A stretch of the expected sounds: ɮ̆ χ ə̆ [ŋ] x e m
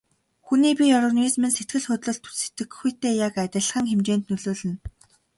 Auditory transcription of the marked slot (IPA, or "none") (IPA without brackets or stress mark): ŋ